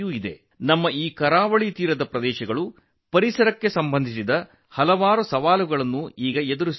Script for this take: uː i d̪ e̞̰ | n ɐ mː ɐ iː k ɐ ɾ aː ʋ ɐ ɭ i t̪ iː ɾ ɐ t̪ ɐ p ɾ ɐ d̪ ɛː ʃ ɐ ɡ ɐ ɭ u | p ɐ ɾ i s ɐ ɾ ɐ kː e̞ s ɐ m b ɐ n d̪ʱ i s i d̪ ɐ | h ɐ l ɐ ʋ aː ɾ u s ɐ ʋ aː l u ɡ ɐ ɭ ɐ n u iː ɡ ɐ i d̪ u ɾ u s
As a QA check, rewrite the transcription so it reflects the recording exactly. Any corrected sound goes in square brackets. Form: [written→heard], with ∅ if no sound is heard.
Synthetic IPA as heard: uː i d̪ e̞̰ | n ɐ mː ɐ iː k ɐ ɾ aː ʋ ɐ ɭ i t̪ iː ɾ ɐ [t̪→d̪] ɐ p ɾ ɐ d̪ ɛː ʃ ɐ ɡ ɐ ɭ u | p ɐ ɾ i s ɐ ɾ ɐ kː e̞ s ɐ m b ɐ n d̪ʱ i s i d̪ ɐ | h ɐ l ɐ ʋ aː ɾ u s ɐ ʋ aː l u ɡ ɐ ɭ ɐ [n→nː] u iː ɡ ɐ [i→e] d̪ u ɾ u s

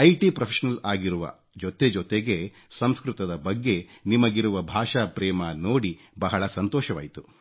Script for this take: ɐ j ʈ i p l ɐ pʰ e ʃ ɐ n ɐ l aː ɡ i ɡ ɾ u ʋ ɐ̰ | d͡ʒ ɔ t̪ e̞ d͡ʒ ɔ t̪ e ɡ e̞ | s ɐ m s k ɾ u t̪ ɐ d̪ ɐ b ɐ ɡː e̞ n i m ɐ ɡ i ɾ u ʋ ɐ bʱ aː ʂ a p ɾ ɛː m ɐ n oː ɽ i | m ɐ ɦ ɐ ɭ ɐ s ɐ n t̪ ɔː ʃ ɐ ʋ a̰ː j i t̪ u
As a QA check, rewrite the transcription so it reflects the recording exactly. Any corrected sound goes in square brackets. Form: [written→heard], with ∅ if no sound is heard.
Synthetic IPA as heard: ɐ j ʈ i p [l→ɾ] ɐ pʰ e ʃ ɐ n ɐ l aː ɡ i [ɡ→∅] ɾ u ʋ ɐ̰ | d͡ʒ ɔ t̪ e̞ d͡ʒ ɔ t̪ e ɡ e̞ | s ɐ m s k ɾ u t̪ ɐ d̪ ɐ b ɐ ɡː e̞ n i m ɐ ɡ i ɾ u ʋ ɐ bʱ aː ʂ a p ɾ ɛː m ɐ n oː ɽ i | [m→b] ɐ ɦ ɐ ɭ ɐ s ɐ n t̪ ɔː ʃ ɐ ʋ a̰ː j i t̪ u

